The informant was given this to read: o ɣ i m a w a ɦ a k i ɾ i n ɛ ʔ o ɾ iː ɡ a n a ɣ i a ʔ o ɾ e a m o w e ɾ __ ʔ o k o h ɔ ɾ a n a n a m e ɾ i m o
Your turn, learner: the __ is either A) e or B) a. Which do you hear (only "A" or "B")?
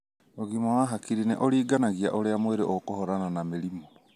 A